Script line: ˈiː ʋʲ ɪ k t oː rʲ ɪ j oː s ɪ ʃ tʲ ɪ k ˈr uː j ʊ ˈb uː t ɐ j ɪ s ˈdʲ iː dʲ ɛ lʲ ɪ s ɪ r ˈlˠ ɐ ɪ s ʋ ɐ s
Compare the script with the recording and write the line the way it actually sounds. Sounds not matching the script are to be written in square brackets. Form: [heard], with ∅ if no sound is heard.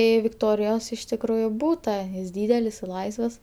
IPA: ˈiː ʋʲ ɪ k t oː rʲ ɪ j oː s ɪ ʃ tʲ ɪ k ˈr uː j ʊ ˈb uː t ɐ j ɪ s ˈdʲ iː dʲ ɛ lʲ ɪ s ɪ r ˈlˠ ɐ ɪ s ʋ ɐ s